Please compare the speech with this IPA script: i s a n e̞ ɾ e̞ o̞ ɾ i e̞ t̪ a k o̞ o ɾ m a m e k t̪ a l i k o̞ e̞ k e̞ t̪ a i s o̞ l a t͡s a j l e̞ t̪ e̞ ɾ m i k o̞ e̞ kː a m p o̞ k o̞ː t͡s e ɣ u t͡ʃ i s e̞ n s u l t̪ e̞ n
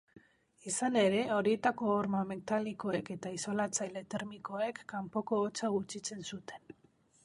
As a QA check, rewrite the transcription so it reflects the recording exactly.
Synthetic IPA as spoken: i s a n e̞ ɾ e̞ o̞ ɾ i e̞ t̪ a k o̞ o ɾ m a m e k t̪ a l i k o̞ e̞ k e̞ t̪ a i s o̞ l a t͡s a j l e̞ t̪ e̞ ɾ m i k o̞ e̞ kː a m p o̞ k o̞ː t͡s a ɣ u t͡ʃ i t͡s e̞ n s u t̪ e̞ n